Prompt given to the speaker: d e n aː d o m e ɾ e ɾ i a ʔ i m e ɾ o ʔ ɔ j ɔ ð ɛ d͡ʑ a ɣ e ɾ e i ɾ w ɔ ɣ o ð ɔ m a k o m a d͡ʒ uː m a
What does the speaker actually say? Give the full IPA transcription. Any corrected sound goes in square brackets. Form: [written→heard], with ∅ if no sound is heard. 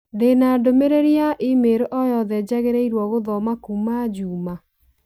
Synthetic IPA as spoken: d e n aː d o m e ɾ e ɾ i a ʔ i m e ɾ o ʔ ɔ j ɔ ð ɛ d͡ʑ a ɣ e ɾ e i ɾ w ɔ ɣ o ð ɔ m a k [o→u] m a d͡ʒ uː m a